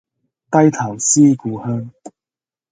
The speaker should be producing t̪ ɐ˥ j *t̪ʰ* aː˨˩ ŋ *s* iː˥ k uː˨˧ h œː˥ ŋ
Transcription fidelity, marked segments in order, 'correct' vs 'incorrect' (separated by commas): correct, correct